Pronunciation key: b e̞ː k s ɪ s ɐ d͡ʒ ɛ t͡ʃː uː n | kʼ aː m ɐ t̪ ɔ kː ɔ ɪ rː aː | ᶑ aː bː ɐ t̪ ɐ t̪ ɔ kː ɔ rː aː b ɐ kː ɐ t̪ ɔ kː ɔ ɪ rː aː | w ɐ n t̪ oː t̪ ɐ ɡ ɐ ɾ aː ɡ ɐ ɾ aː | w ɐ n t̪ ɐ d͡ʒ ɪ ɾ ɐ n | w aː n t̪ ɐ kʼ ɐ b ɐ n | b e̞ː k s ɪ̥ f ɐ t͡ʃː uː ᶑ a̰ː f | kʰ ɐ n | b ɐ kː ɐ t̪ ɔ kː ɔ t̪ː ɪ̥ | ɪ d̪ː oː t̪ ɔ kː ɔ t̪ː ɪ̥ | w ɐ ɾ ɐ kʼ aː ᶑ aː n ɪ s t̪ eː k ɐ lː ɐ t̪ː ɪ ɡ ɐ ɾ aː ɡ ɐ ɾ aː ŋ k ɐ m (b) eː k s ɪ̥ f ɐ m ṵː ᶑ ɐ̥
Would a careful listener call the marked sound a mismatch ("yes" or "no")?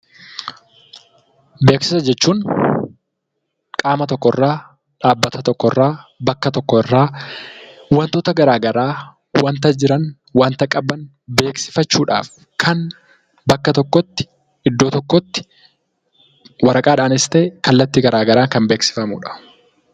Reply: no